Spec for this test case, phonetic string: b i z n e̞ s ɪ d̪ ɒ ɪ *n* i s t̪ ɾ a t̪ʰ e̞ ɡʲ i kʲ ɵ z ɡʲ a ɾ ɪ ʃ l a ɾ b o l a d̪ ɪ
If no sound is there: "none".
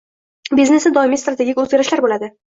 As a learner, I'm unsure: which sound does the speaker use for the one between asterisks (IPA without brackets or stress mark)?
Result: m